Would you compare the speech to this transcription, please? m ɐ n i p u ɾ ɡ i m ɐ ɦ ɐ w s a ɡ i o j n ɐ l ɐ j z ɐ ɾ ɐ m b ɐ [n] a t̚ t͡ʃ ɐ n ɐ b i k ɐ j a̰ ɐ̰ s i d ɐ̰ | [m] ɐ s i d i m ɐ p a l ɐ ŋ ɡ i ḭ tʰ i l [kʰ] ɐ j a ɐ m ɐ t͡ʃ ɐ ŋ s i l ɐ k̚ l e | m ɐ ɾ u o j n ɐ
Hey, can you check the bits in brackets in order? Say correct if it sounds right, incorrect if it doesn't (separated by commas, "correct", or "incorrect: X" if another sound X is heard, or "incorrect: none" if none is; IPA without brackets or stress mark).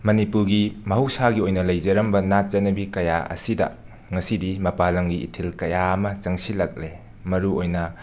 correct, incorrect: ŋ, incorrect: k